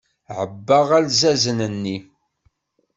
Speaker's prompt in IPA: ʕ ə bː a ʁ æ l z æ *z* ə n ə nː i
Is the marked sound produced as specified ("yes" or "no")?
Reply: yes